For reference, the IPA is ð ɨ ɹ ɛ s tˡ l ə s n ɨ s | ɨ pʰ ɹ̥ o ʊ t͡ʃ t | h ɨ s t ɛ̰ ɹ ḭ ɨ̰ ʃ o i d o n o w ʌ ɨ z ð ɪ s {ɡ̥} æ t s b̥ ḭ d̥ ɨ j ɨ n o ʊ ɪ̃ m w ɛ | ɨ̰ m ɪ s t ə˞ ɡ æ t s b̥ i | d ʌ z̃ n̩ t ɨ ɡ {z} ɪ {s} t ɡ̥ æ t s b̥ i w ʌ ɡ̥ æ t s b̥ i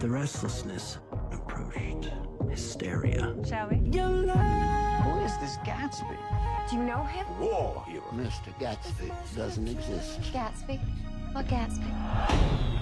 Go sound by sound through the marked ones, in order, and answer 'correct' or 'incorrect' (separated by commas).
correct, correct, correct